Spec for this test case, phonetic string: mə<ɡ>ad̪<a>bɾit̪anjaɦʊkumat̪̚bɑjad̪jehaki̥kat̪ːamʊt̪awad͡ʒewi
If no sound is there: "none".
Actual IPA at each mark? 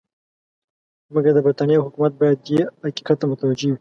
ɡ, ə

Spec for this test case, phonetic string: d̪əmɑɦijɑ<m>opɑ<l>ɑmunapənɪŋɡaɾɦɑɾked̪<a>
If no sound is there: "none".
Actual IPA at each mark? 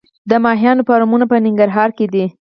n, ɾ, i

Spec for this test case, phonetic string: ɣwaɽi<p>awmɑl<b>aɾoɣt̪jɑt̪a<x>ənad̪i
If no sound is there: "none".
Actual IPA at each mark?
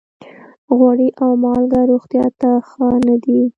ʔ, ɡ, x

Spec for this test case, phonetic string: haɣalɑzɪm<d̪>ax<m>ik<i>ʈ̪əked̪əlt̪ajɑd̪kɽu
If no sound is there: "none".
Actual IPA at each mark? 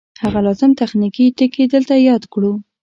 t̪, n, i

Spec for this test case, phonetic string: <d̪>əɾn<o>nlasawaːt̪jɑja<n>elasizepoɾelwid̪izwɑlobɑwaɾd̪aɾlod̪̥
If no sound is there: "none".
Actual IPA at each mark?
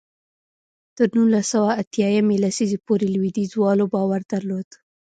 t̪, u, m

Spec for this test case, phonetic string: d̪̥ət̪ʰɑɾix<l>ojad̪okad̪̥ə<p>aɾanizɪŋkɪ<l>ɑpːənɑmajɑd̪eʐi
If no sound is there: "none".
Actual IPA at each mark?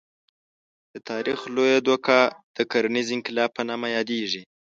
l, k, l

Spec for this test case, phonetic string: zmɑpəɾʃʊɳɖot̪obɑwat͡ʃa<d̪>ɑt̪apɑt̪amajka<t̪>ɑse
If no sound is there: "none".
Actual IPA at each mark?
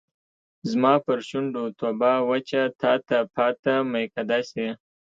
t̪, d̪

